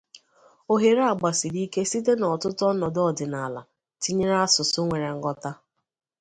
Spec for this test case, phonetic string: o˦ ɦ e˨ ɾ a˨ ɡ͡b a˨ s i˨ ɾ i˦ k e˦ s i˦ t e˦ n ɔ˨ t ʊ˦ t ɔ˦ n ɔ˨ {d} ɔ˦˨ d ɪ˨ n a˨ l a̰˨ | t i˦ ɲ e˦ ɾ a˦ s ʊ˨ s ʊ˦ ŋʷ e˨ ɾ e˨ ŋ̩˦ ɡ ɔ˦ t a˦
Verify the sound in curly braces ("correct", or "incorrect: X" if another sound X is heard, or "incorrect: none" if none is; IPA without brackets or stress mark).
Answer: correct